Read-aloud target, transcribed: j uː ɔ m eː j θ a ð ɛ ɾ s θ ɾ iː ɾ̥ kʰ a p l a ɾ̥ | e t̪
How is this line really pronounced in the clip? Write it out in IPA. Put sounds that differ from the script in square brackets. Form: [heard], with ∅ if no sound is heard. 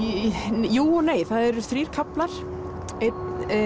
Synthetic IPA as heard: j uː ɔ [n] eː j θ a ð ɛ ɾ s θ ɾ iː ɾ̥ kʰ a p l a ɾ̥ | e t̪